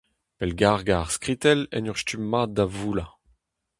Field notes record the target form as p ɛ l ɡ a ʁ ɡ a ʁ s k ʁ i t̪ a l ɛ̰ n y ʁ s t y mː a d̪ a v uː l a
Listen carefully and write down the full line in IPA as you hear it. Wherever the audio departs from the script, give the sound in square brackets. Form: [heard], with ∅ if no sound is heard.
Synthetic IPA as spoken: p ɛ l ɡ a ʁ ɡ a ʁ s k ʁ i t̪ [ɛ] l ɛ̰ n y ʁ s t y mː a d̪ a v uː l a